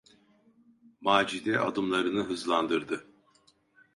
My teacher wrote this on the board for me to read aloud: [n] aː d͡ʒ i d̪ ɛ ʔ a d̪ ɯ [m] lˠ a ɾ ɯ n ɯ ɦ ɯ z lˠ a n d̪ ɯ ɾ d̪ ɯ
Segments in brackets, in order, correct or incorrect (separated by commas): incorrect, correct